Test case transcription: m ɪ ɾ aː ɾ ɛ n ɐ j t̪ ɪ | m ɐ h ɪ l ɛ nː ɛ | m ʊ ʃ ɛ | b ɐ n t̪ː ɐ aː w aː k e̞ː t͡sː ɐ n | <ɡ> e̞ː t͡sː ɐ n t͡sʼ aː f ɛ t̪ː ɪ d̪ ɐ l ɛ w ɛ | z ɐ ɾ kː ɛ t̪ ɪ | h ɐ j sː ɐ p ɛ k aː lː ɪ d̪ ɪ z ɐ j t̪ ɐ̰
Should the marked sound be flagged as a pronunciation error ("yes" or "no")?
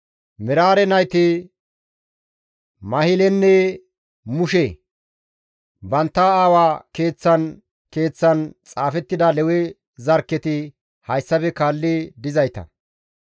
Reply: yes